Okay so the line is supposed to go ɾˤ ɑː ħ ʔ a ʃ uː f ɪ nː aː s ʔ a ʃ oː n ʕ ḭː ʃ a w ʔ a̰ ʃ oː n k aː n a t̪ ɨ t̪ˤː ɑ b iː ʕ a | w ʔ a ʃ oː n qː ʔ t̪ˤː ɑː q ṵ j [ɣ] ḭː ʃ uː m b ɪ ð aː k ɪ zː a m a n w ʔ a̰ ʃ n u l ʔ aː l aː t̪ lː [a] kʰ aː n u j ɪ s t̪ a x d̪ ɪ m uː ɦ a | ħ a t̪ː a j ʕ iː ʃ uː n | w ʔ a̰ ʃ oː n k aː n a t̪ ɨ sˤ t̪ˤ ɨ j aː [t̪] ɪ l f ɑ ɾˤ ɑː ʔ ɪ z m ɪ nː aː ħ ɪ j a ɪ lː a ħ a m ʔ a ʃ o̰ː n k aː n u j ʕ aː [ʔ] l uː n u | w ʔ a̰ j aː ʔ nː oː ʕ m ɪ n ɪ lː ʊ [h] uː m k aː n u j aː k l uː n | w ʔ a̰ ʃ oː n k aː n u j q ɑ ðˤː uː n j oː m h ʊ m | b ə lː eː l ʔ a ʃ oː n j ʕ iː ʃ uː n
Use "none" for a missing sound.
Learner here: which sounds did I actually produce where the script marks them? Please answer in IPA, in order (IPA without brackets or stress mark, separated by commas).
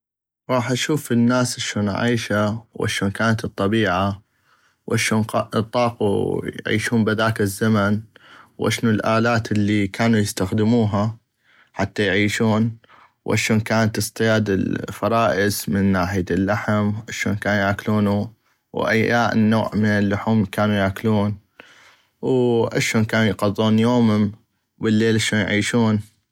ʕ, i, d̪, k, ħ